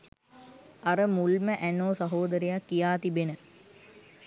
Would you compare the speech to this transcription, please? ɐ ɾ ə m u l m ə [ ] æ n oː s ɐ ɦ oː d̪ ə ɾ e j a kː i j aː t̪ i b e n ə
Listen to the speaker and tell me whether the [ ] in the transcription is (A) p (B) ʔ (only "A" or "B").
B